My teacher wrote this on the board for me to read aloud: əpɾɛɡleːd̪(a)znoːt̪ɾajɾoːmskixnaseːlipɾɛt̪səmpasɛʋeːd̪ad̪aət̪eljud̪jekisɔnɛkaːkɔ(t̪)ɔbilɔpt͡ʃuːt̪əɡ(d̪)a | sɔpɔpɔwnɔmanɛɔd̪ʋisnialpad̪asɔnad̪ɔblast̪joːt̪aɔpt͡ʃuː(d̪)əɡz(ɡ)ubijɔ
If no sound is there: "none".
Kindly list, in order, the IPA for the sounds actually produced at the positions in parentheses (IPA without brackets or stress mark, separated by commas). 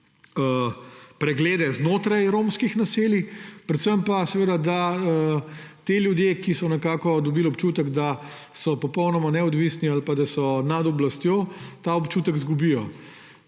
ɛ, d̪, d̪, t̪, ɡ